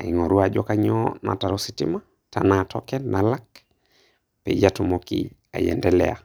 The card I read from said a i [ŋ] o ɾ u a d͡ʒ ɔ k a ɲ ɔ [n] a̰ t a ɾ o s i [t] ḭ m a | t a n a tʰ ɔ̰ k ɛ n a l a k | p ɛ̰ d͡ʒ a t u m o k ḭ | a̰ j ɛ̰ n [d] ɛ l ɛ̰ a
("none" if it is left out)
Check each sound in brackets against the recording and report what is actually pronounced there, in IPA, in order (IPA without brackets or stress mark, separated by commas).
ŋ, n, t, d